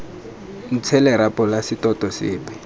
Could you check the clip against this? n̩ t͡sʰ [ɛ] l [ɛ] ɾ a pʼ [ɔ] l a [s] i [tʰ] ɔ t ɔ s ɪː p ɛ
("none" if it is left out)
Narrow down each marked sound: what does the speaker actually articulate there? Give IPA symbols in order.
ɛ, ɛ, ɔ, s, t

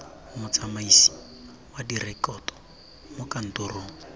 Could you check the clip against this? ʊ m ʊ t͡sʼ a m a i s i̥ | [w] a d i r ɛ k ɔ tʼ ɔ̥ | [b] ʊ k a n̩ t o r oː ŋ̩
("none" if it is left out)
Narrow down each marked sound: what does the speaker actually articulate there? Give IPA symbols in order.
w, m

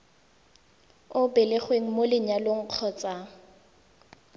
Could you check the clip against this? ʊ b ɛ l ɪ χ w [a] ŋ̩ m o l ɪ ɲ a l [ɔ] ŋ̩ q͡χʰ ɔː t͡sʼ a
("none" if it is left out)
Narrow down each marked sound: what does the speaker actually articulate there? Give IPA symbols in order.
e, o

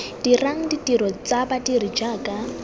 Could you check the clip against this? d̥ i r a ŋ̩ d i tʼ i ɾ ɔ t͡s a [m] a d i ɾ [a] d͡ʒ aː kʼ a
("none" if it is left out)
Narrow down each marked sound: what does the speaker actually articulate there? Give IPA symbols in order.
b, i

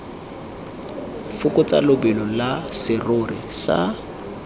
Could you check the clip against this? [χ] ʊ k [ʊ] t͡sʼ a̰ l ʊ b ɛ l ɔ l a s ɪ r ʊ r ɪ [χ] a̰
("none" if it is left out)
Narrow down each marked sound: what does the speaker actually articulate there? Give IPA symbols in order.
f, ʊ, s

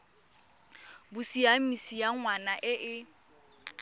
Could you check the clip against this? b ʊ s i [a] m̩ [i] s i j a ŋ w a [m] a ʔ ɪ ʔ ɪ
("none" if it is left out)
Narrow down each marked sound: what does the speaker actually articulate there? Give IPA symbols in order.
a, i, n

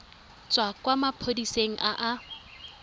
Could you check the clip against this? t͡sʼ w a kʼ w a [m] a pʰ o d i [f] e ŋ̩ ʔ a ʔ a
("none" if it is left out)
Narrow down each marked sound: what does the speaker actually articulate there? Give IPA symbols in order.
m, s

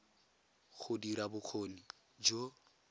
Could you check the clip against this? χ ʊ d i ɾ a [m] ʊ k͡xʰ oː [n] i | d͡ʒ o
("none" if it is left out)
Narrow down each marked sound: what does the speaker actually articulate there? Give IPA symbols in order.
b, n

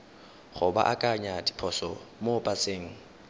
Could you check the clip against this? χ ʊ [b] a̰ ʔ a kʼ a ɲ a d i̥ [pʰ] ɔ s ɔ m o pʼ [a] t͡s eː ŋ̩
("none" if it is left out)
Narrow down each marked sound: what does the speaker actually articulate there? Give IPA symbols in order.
b, pʰ, a

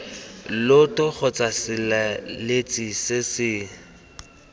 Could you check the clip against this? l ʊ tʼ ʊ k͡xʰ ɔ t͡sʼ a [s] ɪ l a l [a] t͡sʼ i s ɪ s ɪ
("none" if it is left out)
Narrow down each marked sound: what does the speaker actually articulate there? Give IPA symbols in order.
s, e

